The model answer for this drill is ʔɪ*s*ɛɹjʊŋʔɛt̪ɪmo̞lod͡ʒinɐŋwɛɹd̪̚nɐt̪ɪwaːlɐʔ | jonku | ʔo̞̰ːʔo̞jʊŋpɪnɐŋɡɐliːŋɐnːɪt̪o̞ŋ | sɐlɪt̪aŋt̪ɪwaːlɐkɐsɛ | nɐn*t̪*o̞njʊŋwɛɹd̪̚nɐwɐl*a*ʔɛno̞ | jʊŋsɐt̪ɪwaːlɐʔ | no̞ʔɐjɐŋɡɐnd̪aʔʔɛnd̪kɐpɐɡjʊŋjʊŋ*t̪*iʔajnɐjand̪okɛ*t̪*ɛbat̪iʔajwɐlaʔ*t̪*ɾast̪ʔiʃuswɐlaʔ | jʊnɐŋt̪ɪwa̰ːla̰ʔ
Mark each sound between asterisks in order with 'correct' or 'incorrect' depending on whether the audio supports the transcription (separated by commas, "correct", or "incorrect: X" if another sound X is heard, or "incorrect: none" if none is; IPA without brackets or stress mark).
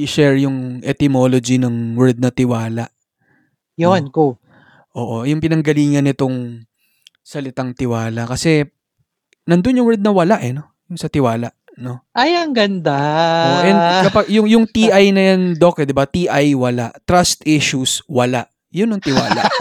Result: incorrect: ʃ, incorrect: d̪, correct, correct, incorrect: d̪, correct